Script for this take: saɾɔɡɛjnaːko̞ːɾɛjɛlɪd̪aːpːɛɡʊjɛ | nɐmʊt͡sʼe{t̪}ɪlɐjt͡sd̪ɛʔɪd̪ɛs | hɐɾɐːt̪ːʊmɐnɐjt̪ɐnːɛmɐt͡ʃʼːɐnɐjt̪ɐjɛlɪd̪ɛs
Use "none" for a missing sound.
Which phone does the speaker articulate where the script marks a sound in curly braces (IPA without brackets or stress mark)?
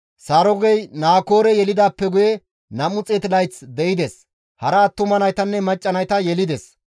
t̪